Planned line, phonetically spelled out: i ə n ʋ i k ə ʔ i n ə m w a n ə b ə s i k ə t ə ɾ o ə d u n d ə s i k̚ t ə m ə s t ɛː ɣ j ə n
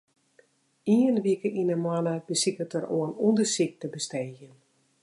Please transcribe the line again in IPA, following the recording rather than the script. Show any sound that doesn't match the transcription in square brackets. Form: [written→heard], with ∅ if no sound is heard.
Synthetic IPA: i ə n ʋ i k ə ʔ i n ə m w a n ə b ə s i k ə t ə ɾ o ə [d→n] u n d ə s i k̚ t ə [m→b] ə s t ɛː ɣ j ə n